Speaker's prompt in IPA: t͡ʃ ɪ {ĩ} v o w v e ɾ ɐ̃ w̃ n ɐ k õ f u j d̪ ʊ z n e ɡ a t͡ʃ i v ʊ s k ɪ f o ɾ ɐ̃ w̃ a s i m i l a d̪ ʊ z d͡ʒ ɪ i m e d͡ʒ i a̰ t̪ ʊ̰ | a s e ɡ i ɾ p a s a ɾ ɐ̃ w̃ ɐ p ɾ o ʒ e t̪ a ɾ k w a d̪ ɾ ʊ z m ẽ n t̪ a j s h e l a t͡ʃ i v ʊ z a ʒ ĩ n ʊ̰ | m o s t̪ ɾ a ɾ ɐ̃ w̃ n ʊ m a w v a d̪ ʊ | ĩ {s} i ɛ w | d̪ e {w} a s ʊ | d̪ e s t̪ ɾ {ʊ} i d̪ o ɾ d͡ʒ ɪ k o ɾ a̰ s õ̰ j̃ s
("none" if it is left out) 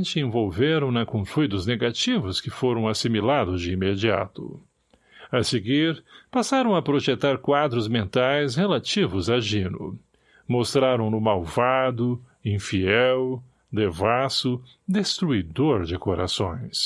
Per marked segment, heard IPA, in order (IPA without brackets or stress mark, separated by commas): ẽ, f, v, u